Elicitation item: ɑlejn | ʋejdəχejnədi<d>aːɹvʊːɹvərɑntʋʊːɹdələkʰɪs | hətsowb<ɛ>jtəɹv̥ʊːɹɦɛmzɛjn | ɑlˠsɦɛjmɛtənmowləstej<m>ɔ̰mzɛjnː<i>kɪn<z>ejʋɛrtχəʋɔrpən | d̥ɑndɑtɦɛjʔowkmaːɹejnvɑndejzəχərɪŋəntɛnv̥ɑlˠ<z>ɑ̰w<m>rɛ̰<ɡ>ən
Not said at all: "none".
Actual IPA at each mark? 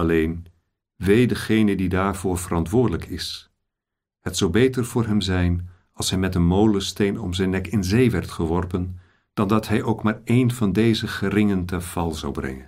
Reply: d, e, n, ɛ, z, z, b, ŋ

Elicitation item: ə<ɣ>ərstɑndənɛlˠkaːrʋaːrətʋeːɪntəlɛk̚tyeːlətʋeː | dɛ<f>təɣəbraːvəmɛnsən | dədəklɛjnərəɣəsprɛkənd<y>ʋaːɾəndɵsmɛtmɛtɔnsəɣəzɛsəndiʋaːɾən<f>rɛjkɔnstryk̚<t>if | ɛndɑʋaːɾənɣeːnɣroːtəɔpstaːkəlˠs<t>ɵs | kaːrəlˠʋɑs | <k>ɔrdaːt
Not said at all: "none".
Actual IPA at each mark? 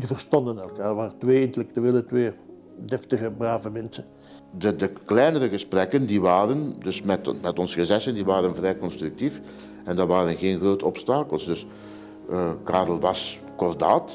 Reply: v, f, i, v, t, d, k

